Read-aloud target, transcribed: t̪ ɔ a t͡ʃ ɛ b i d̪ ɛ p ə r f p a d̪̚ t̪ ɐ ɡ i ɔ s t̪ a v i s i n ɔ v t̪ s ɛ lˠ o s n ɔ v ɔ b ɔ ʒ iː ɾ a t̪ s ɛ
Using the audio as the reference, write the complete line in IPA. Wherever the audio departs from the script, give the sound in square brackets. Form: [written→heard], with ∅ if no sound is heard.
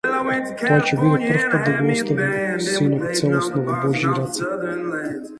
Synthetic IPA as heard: t̪ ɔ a t͡ʃ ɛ b i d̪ ɛ p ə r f p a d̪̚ [t̪→d̪] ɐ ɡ i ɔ s t̪ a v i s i n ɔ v t̪ s ɛ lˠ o s n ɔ v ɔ b ɔ ʒ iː ɾ a t̪ s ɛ